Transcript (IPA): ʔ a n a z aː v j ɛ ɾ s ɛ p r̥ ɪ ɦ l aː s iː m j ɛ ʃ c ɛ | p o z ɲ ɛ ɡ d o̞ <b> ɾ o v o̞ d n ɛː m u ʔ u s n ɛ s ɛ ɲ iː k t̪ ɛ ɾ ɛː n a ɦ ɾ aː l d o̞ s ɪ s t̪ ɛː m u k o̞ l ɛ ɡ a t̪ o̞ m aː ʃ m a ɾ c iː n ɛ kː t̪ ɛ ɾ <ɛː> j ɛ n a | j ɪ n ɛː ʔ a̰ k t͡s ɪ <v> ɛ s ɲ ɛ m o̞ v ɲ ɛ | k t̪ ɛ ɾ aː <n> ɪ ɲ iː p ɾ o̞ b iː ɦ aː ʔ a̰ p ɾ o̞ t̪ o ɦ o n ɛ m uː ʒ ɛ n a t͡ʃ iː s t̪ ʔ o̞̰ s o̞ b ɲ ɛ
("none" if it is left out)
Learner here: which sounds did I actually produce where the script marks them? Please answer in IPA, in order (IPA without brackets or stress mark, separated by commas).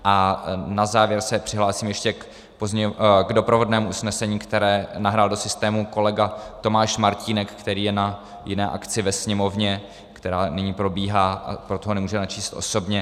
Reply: p, iː, v, n